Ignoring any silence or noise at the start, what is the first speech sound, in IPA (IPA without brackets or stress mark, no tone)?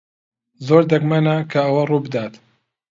z